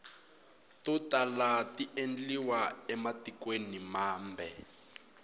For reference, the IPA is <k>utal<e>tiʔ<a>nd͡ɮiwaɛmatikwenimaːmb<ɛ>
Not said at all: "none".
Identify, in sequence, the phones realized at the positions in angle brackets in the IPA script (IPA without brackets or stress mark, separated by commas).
t, a, e, ɛ